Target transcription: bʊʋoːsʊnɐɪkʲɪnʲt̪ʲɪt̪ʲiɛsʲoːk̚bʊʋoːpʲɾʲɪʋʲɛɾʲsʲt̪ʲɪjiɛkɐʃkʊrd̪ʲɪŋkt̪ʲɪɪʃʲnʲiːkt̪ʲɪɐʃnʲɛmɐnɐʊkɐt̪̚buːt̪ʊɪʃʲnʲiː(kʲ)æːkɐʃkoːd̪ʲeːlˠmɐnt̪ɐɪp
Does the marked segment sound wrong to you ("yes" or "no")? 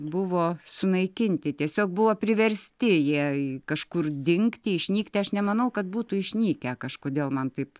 no